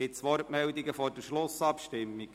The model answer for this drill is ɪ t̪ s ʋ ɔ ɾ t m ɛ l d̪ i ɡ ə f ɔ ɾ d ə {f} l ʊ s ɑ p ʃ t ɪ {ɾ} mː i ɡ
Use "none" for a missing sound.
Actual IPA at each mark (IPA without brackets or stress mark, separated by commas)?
ʃ, none